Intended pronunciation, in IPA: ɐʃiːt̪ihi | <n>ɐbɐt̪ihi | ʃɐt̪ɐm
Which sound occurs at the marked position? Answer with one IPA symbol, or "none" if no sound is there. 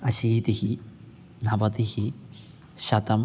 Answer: n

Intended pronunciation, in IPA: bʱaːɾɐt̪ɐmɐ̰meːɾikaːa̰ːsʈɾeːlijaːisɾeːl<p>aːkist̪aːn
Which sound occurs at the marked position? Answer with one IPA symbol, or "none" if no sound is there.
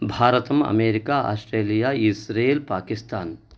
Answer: p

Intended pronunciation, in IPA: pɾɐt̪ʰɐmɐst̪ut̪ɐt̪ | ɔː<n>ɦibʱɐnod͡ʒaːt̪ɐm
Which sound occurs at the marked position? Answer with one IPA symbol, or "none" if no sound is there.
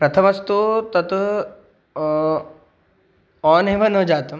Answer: n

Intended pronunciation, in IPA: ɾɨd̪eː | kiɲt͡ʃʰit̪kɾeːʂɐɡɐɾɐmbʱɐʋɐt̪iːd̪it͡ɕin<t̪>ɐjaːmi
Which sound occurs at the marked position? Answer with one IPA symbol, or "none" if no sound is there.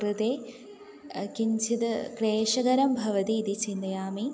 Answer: d̪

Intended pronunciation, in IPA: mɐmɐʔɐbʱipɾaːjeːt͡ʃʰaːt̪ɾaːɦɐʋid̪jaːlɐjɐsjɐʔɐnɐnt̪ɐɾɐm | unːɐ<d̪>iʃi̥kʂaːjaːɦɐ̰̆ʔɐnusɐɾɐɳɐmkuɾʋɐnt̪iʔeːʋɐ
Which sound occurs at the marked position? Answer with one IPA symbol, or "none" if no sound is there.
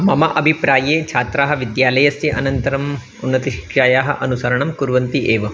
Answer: t̪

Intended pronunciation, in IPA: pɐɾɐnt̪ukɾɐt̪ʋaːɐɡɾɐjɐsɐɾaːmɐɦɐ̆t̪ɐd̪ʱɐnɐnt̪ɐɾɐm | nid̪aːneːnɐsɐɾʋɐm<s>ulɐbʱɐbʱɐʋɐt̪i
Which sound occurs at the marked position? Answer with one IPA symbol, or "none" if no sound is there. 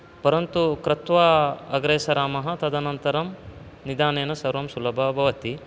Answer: s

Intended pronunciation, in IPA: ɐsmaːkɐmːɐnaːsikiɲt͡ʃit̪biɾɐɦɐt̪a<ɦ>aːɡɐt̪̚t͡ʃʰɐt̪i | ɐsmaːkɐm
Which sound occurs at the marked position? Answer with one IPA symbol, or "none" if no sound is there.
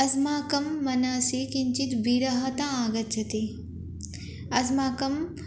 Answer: none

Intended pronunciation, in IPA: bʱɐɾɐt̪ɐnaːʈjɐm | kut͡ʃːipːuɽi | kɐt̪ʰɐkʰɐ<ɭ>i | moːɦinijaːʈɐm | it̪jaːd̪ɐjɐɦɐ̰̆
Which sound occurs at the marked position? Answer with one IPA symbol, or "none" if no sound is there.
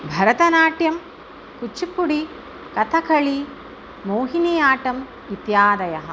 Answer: ɭ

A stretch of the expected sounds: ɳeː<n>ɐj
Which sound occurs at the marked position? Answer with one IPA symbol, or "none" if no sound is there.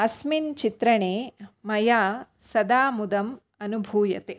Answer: m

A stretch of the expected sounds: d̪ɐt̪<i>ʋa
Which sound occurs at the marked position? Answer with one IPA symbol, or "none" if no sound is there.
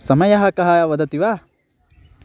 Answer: i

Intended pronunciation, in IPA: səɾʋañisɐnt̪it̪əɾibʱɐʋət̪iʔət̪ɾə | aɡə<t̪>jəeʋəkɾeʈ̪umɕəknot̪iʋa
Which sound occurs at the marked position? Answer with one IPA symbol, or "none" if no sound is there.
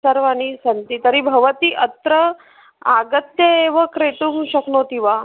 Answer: t̪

